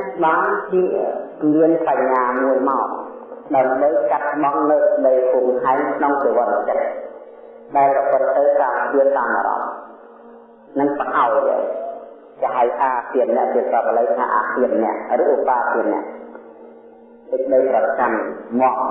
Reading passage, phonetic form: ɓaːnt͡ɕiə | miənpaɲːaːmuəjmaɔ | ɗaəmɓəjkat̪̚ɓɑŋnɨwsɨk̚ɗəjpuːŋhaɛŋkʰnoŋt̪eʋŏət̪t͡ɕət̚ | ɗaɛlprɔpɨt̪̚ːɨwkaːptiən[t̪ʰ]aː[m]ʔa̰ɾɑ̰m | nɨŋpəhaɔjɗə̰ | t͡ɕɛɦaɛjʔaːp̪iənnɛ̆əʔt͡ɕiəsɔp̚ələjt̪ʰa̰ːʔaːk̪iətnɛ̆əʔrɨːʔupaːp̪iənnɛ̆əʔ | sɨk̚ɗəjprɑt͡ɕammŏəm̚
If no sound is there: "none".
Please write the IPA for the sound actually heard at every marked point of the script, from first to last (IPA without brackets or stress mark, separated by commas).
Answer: t̪, m